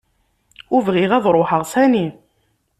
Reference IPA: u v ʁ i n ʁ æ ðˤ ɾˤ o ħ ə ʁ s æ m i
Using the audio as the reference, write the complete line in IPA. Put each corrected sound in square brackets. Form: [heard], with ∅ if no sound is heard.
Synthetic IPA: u v ʁ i [∅] ʁ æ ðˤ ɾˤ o ħ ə ʁ s æ [n] i